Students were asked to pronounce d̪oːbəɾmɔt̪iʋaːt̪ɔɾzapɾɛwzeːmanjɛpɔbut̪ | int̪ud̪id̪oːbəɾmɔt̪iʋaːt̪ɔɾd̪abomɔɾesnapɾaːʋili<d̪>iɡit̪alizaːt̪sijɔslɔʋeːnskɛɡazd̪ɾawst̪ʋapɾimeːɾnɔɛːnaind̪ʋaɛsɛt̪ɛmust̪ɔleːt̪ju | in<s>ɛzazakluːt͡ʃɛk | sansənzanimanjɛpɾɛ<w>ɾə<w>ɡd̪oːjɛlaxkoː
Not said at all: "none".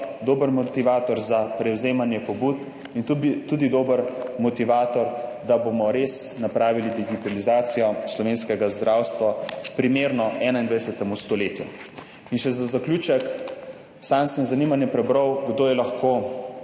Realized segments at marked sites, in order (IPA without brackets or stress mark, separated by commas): d̪, ʃ, b, w